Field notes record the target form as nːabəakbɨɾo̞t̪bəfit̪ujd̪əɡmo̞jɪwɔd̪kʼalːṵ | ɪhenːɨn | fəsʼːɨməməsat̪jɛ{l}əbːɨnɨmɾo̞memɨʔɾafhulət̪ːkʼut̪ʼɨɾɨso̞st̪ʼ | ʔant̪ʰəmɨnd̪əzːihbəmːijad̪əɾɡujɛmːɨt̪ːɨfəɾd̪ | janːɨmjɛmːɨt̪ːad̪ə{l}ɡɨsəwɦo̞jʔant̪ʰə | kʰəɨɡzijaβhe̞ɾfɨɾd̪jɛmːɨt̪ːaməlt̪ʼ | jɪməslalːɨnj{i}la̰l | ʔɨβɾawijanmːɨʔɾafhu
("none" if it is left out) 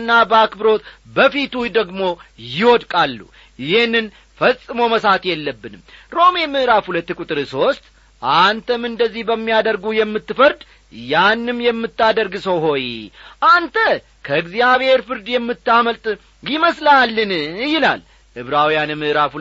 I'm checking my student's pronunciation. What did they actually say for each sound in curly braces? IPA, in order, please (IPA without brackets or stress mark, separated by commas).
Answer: lː, ɾ, ɪ